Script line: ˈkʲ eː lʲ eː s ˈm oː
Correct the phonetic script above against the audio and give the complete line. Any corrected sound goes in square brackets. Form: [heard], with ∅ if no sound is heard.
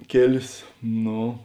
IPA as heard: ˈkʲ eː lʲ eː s [ˈn] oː